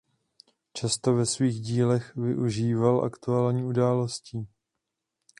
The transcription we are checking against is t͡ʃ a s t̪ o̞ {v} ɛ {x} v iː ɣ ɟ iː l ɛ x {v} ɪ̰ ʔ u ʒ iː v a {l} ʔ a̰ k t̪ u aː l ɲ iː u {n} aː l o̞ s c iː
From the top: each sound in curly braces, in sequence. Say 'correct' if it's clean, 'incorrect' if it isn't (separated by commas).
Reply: correct, incorrect, correct, correct, incorrect